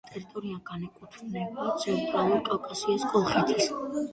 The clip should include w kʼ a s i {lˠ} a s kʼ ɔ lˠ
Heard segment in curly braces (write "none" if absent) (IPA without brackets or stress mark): none